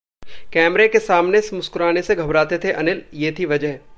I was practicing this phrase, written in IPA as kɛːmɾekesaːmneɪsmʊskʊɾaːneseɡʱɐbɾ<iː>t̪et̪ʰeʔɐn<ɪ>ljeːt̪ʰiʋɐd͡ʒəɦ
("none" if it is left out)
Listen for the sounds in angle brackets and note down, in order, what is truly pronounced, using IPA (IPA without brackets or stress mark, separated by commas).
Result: aː, ɪ